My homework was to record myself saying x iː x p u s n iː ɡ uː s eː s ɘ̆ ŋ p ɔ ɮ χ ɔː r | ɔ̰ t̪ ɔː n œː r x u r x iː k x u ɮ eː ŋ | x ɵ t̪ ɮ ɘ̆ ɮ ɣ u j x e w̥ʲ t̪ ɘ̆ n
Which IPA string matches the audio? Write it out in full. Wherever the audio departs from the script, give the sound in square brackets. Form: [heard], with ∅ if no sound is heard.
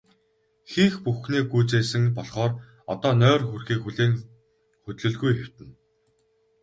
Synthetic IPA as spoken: x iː x p u [x] n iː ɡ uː [t͡s] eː s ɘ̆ ŋ p ɔ ɮ χ ɔː r | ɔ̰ t̪ ɔː n œː r x u r x iː k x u ɮ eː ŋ | x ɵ t̪ ɮ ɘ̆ ɮ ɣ u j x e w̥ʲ t̪ ɘ̆ n